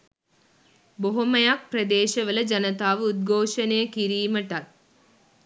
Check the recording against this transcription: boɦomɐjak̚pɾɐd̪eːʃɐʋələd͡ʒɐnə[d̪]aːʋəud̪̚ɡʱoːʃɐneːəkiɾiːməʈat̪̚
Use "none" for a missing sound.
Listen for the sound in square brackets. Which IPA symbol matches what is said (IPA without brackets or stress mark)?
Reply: t̪